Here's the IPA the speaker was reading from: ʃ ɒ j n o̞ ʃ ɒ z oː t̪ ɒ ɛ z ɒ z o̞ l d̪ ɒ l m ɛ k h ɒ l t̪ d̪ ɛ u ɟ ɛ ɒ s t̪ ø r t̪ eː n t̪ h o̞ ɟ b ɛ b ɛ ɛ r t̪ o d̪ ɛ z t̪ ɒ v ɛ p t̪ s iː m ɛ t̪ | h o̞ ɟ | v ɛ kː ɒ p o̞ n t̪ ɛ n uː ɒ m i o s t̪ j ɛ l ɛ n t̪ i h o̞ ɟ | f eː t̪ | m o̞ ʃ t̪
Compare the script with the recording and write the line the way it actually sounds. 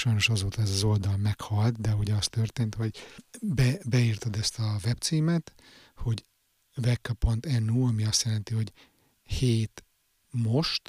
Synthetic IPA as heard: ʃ ɒ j n o̞ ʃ ɒ z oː t̪ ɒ ɛ z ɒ z o̞ l d̪ ɒ l m ɛ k h ɒ l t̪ d̪ ɛ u ɟ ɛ ɒ s t̪ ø r t̪ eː n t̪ h o̞ ɟ b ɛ b ɛ i r t̪ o d̪ ɛ s t̪ ɒ v ɛ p t̪ s iː m ɛ t̪ | h o̞ ɟ | v ɛ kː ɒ p o̞ n t̪ ɛ n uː ɒ m i ɒ s t̪ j ɛ l ɛ n t̪ i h o̞ ɟ | h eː t̪ | m o̞ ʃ t̪